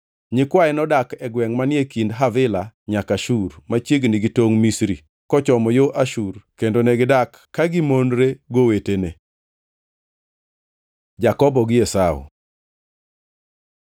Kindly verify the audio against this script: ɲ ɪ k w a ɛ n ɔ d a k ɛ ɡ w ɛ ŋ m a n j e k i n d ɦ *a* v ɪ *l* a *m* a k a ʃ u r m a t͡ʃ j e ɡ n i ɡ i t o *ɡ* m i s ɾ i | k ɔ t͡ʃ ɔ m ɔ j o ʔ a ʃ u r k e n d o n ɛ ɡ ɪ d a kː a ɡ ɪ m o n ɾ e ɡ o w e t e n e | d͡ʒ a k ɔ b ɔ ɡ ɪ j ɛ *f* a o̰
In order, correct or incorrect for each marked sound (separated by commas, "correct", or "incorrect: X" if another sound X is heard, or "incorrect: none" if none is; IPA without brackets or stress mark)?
correct, correct, incorrect: ɲ, incorrect: ŋ, incorrect: s